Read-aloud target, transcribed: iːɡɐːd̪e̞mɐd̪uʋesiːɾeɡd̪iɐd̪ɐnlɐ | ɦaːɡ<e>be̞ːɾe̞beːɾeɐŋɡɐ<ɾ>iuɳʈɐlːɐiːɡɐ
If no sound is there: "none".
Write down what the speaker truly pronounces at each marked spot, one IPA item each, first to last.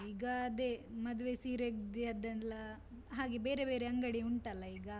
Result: e, ɽ

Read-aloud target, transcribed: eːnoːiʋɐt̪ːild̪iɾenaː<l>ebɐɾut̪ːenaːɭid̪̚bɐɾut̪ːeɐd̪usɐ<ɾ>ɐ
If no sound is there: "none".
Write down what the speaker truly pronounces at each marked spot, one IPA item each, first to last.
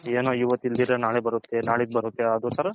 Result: ɭ, ɾ

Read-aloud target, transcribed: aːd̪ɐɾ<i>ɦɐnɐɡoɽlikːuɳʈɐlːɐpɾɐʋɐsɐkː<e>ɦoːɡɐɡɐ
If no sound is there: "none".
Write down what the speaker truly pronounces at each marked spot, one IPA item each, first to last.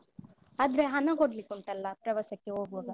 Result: e, e

